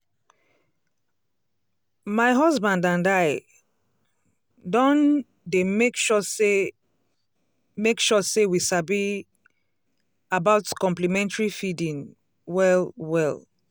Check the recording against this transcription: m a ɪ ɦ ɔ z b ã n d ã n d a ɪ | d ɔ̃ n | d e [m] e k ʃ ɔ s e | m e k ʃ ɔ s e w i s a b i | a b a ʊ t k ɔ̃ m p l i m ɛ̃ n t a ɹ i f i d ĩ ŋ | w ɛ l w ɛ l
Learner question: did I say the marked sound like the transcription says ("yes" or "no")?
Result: yes